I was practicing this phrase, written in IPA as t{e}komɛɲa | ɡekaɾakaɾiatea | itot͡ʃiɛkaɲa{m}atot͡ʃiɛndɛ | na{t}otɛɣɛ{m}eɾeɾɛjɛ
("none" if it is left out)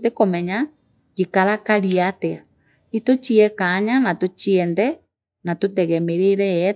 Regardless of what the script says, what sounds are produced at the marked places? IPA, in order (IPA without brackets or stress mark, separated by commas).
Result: e, n, t, m